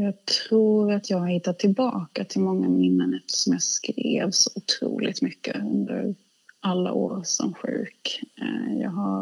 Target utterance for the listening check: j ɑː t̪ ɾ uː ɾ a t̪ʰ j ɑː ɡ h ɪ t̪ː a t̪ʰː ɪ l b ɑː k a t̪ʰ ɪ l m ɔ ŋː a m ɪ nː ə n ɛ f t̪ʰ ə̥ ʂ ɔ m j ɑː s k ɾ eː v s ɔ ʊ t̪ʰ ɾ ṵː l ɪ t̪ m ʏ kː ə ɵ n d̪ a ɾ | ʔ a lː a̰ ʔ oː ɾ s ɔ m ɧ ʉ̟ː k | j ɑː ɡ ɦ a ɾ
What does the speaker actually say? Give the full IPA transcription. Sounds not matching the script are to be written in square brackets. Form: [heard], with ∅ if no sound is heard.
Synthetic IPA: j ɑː [t̪ʰ] ɾ uː ɾ a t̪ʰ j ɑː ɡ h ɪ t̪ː a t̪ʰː ɪ l b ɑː k a t̪ʰ ɪ l m ɔ ŋː a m ɪ nː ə n ɛ f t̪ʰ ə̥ ʂ ɔ m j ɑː s k ɾ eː v s ɔ ʊ t̪ʰ ɾ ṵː l ɪ t̪ m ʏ kː ə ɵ n d̪ [ə] ɾ | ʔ a lː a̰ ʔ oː ɾ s ɔ m ɧ ʉ̟ː k | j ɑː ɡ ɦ a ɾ